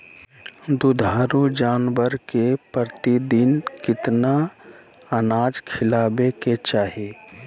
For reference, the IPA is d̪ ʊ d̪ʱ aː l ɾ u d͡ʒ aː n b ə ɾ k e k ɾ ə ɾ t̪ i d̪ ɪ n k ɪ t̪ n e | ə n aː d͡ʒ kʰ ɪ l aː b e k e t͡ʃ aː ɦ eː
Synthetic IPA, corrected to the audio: d̪ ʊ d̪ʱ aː ɾ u d͡ʒ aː n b ə ɾ k e p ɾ ə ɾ t̪ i d̪ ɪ n k ɪ t̪ n a | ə n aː d͡ʒ kʰ ɪ l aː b e k e t͡ʃ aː ɦ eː